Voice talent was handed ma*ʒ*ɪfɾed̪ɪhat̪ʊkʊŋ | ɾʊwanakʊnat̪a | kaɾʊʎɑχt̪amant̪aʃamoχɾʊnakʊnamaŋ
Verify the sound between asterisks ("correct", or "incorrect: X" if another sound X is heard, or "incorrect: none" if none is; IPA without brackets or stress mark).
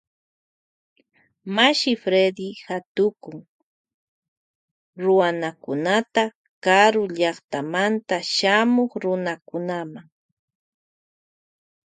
incorrect: ʃ